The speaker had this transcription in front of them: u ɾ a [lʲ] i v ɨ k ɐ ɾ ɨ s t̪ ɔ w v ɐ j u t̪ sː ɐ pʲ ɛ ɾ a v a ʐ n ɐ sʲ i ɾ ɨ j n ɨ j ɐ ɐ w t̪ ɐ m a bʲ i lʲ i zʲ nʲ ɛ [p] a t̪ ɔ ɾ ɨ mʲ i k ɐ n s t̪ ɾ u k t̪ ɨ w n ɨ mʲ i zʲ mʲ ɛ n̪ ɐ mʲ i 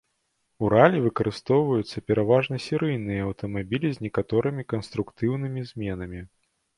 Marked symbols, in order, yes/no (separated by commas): yes, no